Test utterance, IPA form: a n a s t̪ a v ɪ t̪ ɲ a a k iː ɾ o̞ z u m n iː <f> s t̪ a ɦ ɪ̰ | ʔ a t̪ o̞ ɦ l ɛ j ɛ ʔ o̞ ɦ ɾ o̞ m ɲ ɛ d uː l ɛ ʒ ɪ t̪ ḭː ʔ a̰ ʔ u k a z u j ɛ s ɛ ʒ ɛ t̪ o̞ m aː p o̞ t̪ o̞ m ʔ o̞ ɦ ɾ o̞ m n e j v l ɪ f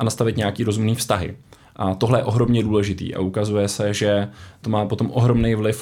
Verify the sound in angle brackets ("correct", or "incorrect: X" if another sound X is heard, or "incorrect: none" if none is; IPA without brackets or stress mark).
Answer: correct